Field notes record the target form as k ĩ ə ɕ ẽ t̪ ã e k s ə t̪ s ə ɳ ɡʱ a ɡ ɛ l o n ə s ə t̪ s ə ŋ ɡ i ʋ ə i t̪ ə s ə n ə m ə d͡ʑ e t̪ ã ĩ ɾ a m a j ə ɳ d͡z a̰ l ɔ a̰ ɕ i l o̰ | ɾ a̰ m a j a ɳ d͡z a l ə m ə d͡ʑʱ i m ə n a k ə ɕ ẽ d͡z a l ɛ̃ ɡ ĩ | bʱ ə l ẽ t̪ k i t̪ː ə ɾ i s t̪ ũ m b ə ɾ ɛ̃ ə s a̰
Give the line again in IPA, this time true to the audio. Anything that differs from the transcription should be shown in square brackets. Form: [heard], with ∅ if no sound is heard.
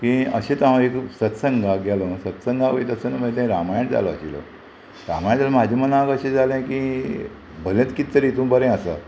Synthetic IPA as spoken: k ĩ ə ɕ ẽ t̪ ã e k s ə t̪ s ə [ŋ] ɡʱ a ɡ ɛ l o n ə s ə t̪ s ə ŋ ɡ [a] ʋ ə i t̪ ə s ə n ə m ə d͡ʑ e t̪ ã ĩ ɾ a m a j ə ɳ d͡z a̰ l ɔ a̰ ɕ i l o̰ | ɾ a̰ m a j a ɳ d͡z a l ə m [a] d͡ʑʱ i m ə n a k ə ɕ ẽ d͡z a l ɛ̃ [k] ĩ | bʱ ə l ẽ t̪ k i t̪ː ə ɾ i [∅] t̪ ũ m b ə ɾ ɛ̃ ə s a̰